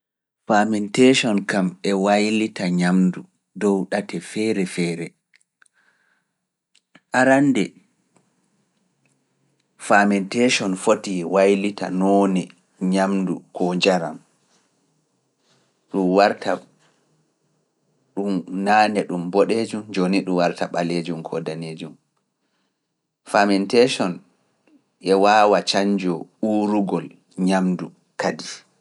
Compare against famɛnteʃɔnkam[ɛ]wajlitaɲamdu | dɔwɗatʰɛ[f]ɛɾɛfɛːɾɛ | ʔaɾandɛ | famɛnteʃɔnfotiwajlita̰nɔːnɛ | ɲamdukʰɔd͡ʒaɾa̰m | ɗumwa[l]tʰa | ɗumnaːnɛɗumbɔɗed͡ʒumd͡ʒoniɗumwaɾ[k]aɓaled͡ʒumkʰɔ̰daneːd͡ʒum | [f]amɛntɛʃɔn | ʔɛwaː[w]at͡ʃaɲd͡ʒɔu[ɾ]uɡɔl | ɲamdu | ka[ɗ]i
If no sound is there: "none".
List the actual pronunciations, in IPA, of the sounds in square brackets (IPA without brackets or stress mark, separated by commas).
ɛ, f, ɾ, t, f, w, ɾ, d